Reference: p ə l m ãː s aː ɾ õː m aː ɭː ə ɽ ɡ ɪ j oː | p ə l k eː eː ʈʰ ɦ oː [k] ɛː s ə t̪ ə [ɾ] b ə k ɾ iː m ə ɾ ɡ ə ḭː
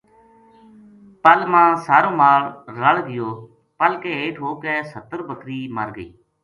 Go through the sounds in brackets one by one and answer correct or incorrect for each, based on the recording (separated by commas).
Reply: correct, correct